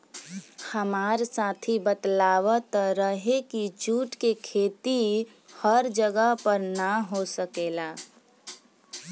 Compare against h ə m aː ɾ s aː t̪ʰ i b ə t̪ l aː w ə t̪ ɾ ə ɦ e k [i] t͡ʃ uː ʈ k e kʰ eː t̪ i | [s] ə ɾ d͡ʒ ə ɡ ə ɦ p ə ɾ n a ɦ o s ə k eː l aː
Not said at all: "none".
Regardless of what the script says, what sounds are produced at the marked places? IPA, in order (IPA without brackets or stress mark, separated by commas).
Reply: i, h